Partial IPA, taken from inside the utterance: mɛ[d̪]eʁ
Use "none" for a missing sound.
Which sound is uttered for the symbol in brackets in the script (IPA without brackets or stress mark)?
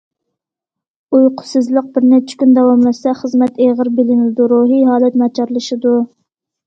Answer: t̪